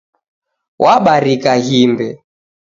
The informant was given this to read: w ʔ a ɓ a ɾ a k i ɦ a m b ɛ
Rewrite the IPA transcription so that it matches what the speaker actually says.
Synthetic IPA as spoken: w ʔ a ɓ a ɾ i k a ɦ i m b ɛ